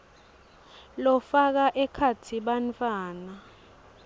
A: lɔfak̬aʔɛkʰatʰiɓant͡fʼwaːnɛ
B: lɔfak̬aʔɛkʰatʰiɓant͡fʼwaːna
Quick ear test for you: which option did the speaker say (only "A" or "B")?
B